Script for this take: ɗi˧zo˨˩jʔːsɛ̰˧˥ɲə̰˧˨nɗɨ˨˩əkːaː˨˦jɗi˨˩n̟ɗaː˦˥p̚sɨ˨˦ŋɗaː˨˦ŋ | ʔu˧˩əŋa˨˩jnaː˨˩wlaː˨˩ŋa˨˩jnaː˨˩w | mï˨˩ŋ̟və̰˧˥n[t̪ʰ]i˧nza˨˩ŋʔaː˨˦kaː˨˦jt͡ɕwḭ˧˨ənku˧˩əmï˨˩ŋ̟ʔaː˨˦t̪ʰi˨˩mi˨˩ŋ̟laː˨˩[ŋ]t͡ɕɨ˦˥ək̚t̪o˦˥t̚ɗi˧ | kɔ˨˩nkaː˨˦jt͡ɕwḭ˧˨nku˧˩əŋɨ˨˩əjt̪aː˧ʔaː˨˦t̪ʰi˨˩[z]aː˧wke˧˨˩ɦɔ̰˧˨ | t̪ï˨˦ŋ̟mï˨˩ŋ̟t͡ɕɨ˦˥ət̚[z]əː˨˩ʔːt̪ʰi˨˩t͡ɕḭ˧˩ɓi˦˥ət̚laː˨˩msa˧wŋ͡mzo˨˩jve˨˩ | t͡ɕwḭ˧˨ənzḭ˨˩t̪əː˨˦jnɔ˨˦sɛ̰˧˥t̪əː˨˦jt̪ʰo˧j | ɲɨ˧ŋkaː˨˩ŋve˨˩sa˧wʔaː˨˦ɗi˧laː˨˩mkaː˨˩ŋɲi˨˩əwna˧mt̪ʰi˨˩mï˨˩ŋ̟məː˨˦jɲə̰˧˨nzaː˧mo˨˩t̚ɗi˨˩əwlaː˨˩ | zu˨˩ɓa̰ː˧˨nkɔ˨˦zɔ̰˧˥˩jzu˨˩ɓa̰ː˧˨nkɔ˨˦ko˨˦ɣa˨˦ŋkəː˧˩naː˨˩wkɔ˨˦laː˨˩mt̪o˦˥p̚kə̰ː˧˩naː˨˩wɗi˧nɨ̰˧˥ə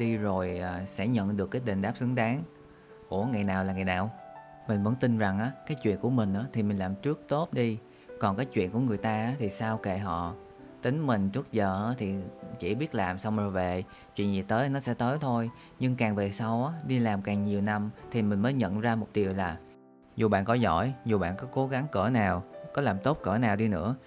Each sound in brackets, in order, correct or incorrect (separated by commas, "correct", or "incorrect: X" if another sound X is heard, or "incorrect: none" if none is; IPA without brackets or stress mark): incorrect: t̪, incorrect: m, incorrect: s, correct